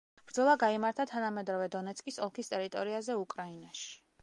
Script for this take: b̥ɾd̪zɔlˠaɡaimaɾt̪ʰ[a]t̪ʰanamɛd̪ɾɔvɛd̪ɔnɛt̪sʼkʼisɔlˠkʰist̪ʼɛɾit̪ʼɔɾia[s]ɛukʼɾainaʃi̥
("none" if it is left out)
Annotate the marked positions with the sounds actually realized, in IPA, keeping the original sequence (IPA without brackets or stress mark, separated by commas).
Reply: a, z